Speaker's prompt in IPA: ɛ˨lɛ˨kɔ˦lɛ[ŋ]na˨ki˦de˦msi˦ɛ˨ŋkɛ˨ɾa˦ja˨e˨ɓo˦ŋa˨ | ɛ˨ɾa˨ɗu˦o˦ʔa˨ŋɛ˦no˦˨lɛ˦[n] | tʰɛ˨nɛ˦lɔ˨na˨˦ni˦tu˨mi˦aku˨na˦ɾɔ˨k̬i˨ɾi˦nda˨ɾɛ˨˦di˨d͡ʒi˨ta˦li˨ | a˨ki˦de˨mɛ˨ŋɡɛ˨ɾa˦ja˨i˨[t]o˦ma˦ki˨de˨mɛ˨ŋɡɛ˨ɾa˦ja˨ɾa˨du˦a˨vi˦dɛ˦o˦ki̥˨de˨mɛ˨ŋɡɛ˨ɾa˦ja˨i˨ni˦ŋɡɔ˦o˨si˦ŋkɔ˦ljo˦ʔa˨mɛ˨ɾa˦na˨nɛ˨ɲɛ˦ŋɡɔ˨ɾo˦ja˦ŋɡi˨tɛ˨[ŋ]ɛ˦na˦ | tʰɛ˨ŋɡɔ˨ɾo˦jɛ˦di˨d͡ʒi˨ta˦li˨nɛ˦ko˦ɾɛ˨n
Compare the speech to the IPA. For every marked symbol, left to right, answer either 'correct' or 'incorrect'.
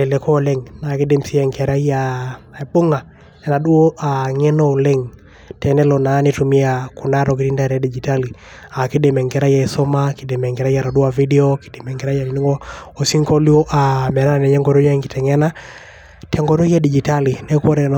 correct, incorrect, incorrect, correct

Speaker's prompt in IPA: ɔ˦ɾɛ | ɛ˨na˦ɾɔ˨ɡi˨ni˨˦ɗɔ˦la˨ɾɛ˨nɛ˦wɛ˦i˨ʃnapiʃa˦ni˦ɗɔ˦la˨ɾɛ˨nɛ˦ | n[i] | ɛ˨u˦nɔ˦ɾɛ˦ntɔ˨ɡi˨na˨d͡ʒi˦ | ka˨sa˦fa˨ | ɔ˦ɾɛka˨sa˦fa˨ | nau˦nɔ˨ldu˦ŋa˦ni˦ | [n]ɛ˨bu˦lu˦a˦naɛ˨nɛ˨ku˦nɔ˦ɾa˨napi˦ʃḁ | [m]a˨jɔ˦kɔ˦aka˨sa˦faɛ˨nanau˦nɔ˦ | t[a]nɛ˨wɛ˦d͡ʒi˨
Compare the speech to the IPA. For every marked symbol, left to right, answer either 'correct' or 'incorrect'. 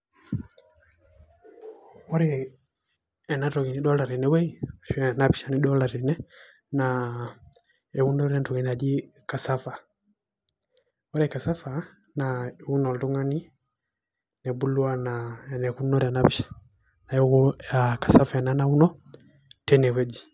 incorrect, correct, incorrect, incorrect

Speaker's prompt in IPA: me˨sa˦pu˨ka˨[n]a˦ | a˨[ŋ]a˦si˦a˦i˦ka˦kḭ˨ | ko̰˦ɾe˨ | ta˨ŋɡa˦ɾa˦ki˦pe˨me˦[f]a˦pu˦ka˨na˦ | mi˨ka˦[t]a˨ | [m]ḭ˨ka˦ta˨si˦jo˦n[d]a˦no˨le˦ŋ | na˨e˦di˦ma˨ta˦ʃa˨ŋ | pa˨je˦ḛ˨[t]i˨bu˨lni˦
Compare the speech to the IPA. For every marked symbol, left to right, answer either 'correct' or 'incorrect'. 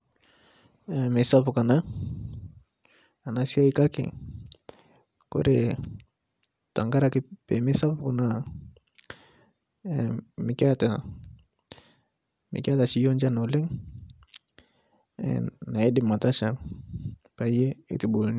correct, incorrect, incorrect, correct, correct, incorrect, correct

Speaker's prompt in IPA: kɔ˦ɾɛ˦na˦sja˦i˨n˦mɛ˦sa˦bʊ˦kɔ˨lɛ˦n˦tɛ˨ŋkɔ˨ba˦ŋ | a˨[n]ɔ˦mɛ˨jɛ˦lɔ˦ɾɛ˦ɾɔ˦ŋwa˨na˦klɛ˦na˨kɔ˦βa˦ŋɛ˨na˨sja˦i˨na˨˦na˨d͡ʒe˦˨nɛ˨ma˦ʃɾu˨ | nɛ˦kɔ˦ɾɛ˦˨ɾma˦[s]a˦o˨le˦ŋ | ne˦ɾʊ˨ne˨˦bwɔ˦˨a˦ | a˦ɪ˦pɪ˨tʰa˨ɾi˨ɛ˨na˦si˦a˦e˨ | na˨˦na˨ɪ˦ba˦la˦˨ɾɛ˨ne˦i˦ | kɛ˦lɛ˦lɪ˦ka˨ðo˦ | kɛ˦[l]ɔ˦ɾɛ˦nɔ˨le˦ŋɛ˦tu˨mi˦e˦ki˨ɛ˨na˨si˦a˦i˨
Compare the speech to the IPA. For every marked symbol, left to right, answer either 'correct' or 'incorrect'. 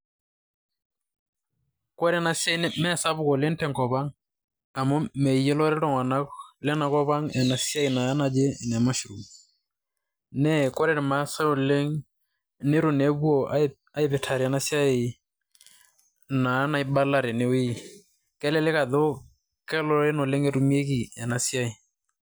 incorrect, correct, correct

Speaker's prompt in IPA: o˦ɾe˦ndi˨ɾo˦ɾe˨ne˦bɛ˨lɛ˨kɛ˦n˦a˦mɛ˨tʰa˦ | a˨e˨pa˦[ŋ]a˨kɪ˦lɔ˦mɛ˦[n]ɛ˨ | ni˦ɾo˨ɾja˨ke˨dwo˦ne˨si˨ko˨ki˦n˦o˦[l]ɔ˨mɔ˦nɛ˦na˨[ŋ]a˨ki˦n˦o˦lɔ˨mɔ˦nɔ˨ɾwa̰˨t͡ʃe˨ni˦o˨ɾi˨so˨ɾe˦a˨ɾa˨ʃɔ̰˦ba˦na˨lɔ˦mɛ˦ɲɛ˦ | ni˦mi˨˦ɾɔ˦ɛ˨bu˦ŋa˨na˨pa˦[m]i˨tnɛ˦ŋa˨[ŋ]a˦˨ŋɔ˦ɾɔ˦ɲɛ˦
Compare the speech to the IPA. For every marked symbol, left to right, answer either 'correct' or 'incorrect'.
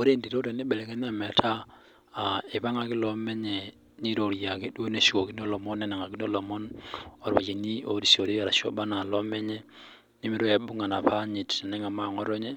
correct, incorrect, correct, correct, incorrect, incorrect

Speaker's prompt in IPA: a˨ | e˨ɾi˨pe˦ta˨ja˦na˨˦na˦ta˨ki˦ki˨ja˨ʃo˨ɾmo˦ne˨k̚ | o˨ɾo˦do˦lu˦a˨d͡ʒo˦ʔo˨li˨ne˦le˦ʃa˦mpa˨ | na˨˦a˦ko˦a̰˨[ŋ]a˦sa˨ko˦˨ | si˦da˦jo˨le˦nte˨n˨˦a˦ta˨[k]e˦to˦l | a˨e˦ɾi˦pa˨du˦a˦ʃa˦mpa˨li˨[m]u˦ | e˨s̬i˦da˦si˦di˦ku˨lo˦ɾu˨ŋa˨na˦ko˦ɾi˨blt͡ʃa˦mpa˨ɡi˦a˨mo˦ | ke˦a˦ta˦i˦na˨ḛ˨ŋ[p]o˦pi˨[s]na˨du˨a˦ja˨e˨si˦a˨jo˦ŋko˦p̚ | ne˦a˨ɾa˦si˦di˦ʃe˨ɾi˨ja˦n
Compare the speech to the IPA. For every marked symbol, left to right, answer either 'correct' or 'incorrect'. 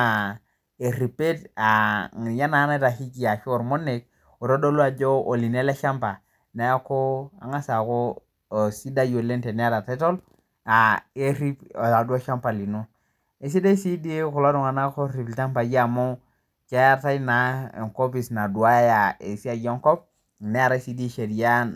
correct, incorrect, incorrect, incorrect, correct

